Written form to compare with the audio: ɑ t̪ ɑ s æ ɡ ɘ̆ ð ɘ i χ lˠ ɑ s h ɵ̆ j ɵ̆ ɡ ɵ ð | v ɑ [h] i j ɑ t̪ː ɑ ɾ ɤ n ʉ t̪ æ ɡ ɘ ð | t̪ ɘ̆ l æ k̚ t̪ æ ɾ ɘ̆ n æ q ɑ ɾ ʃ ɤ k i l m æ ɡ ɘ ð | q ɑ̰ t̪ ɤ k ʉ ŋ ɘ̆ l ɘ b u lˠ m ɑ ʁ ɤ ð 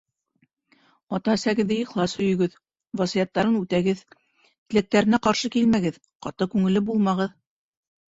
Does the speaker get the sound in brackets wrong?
yes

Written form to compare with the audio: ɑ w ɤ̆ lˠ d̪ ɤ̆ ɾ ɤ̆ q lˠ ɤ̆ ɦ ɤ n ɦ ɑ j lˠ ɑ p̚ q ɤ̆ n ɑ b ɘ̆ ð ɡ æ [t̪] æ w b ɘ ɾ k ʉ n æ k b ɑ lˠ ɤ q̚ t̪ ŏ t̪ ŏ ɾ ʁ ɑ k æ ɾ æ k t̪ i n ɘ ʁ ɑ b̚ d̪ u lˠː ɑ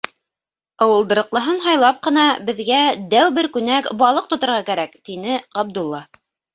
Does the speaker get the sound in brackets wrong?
yes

